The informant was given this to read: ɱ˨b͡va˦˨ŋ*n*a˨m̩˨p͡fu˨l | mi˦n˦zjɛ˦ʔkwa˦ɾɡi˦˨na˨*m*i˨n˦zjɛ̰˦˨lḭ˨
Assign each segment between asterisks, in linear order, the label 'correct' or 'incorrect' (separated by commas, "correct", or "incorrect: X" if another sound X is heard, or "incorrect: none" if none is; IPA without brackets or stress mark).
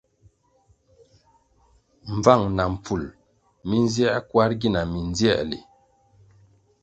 correct, correct